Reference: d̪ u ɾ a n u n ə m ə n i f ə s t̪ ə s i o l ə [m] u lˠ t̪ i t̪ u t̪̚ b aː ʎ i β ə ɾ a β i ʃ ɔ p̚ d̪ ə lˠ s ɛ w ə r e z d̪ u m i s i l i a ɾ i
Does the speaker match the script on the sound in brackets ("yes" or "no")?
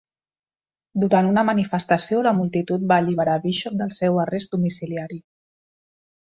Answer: yes